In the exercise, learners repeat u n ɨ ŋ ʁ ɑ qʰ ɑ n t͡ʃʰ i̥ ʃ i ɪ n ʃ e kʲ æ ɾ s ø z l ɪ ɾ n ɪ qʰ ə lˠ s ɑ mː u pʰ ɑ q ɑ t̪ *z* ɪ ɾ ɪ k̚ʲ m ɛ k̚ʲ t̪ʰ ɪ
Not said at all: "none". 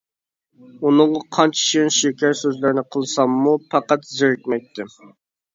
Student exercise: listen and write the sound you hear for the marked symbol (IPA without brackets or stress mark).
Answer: z